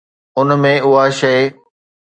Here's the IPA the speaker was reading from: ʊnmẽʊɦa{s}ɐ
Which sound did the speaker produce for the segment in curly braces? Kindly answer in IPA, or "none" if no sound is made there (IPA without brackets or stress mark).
ʃ